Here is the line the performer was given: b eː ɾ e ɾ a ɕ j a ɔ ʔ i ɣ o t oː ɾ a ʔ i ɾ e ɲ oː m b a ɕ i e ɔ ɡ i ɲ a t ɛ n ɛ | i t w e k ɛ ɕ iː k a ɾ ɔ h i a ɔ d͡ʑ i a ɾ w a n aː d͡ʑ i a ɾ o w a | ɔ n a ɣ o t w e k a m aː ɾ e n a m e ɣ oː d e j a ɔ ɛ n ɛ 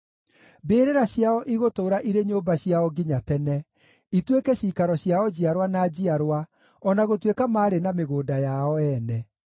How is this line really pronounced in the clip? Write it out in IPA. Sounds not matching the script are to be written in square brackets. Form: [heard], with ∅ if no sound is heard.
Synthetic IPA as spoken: b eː ɾ e ɾ a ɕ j a ɔ ʔ i ɣ o t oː ɾ a ʔ i ɾ e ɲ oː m b a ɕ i [a] ɔ ɡ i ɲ a t ɛ n ɛ | i t w e k ɛ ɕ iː k a ɾ ɔ [ɕ] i a ɔ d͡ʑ i a ɾ w a n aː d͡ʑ i a ɾ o w a | ɔ n a ɣ o t w e k a m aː ɾ e n a m e ɣ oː d [a] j a ɔ ɛ n ɛ